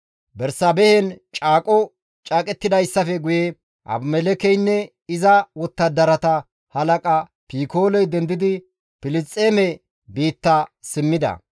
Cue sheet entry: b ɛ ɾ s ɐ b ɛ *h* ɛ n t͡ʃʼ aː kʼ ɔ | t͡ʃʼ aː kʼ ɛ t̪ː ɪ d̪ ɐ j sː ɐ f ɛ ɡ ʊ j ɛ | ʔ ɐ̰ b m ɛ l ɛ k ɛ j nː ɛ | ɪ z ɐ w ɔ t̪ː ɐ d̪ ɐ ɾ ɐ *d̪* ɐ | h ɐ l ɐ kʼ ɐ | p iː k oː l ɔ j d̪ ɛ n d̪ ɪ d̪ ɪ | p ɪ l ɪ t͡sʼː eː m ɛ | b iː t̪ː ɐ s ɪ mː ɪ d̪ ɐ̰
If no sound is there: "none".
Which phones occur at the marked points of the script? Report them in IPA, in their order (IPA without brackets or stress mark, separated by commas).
h, t̪